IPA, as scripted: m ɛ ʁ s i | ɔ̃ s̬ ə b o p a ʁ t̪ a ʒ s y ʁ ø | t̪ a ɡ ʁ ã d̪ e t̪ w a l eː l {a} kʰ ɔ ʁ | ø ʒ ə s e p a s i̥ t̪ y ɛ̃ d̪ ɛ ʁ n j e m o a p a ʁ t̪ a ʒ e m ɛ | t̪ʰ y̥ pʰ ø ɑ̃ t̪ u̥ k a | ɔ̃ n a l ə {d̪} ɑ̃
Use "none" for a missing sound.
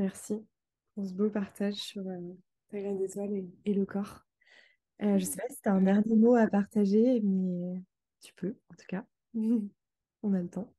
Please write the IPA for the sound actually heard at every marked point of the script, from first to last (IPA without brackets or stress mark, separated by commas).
ə, t̪